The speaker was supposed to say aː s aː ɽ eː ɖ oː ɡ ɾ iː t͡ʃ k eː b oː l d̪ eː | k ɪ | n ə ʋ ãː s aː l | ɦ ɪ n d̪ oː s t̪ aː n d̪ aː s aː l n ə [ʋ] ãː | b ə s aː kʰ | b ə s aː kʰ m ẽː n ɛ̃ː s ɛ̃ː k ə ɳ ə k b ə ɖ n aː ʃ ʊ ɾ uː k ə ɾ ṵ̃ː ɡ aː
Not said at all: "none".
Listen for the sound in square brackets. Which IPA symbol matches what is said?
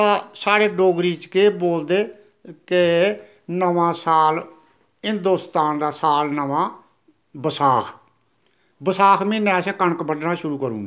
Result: ʋ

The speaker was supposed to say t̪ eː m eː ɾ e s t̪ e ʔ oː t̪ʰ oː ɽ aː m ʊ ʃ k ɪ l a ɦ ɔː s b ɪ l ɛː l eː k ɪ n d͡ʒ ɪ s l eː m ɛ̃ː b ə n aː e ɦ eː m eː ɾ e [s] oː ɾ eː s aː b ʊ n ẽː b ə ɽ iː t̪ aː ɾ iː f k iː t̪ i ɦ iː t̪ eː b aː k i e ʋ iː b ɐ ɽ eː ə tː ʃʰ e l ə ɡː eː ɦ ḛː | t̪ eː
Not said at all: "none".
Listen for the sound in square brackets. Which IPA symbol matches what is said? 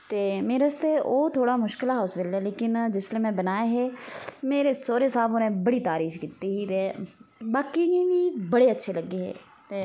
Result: s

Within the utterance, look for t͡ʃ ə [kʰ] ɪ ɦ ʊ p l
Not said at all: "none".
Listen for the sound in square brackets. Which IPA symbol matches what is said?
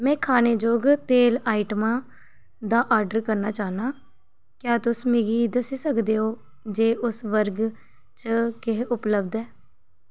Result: k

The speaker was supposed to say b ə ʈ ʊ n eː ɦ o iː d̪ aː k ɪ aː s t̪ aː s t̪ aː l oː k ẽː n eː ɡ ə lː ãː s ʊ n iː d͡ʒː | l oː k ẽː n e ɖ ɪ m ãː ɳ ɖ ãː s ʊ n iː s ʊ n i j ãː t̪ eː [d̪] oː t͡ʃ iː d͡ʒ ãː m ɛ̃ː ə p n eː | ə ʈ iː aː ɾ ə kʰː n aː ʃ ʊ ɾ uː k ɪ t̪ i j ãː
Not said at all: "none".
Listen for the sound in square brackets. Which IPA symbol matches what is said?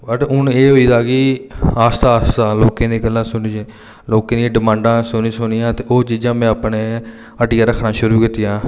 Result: none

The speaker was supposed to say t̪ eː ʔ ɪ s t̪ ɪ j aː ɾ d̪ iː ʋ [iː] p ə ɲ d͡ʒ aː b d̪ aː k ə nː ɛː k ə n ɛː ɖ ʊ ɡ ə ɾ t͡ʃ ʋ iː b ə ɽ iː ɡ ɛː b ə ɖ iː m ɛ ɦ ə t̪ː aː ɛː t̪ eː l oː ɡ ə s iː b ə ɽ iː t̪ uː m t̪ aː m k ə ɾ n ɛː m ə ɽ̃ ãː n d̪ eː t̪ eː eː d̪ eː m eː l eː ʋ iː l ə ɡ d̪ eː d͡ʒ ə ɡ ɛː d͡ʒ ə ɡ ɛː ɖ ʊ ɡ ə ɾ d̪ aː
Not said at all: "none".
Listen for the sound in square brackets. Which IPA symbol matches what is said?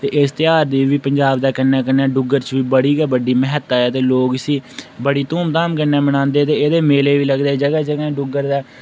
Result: iː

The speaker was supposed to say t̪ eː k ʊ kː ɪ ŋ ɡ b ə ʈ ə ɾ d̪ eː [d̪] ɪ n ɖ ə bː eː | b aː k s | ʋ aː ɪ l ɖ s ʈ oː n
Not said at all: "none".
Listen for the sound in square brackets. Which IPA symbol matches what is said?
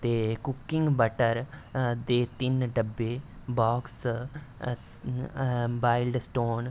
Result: t̪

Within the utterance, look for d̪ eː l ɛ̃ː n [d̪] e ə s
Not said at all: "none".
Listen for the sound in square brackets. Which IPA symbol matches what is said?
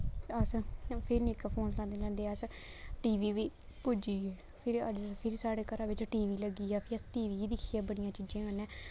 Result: d̪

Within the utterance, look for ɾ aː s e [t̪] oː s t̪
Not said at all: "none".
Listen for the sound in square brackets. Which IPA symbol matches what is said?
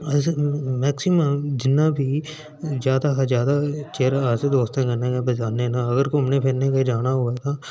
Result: d̪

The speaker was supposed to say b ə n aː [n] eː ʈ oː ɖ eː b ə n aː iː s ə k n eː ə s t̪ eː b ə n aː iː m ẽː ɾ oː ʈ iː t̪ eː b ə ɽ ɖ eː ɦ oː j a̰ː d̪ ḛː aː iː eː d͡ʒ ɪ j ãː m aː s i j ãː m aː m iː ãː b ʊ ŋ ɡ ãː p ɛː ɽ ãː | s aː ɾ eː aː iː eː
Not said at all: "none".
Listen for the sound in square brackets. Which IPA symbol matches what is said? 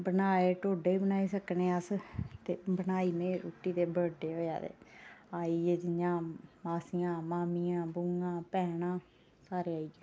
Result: none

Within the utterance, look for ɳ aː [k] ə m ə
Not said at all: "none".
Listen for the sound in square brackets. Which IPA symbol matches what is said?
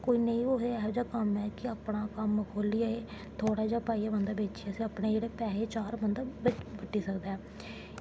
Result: k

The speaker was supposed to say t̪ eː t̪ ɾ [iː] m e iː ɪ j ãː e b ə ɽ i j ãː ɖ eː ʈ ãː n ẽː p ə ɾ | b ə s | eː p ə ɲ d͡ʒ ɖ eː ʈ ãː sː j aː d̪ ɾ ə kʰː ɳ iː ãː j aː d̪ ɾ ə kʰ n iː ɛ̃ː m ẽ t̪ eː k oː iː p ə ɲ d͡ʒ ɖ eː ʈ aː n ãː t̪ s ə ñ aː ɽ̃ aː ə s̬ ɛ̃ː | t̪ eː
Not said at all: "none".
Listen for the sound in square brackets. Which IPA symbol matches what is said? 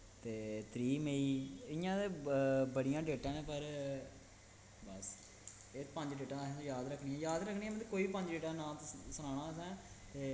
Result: iː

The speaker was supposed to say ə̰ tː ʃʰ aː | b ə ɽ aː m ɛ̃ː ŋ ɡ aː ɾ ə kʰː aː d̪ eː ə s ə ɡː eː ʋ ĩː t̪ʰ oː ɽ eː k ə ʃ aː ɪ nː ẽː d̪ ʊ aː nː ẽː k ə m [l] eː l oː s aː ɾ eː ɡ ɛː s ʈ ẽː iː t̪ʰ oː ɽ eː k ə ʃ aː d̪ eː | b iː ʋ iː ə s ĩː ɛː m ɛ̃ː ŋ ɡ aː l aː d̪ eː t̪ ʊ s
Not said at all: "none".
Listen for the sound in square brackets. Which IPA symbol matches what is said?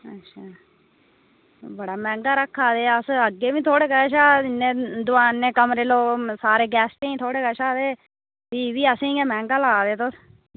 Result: ɾ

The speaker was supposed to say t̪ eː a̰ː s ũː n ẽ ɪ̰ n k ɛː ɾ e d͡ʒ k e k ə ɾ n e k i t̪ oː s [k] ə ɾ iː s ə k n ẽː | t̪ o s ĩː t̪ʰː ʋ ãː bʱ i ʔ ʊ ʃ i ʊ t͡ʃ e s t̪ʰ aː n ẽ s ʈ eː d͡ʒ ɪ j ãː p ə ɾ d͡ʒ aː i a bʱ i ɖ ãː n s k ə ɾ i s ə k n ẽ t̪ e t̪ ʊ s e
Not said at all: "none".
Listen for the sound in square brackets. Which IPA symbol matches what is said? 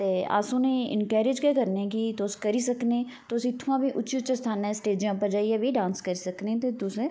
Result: k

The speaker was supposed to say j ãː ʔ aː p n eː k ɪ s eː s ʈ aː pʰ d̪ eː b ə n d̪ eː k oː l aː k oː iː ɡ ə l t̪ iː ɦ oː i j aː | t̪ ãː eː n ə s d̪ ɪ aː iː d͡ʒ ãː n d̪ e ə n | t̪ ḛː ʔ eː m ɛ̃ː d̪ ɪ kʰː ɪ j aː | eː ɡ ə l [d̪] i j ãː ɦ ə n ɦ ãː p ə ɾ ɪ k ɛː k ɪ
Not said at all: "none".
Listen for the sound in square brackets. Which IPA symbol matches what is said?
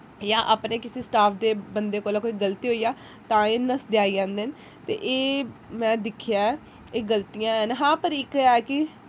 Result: t̪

